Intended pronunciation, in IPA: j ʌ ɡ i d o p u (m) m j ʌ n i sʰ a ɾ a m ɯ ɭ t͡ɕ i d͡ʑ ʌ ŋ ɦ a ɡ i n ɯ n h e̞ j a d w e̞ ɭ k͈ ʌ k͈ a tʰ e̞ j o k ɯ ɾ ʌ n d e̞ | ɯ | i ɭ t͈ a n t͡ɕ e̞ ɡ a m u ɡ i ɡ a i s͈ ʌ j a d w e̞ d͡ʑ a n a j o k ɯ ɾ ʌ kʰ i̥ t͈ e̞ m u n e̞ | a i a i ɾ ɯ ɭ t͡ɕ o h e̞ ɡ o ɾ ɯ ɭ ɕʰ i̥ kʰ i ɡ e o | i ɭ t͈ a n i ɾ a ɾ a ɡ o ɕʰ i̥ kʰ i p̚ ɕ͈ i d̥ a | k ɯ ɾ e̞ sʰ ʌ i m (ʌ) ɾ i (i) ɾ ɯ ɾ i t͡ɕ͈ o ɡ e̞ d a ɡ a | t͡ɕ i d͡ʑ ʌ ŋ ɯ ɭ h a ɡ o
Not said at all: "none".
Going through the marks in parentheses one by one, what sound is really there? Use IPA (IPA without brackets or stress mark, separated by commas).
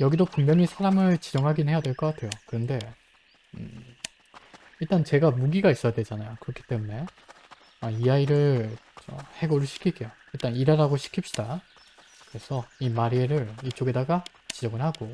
ŋ, a, e